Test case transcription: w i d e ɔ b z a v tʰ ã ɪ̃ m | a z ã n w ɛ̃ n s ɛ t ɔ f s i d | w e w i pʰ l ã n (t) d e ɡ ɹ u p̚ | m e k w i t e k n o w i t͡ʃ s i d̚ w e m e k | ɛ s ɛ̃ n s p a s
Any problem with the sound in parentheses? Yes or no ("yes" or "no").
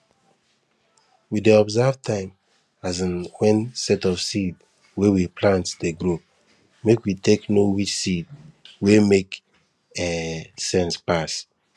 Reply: no